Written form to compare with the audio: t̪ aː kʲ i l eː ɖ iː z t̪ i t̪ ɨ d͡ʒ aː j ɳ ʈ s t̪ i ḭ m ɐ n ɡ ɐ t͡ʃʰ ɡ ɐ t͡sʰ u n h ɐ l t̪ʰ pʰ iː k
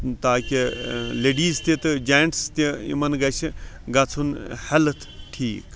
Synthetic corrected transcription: t̪ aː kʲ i l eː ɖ iː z t̪ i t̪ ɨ d͡ʒ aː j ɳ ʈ s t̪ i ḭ m ɐ n ɡ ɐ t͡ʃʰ ɡ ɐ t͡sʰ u n h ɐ l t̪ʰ ʈʰ iː k